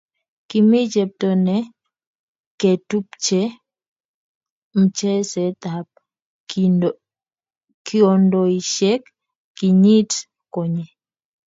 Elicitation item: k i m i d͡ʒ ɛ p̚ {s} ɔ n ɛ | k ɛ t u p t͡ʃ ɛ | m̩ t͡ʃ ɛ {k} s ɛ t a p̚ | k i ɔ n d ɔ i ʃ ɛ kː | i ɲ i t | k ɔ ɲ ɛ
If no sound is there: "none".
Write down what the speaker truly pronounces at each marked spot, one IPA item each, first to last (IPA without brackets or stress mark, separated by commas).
t, none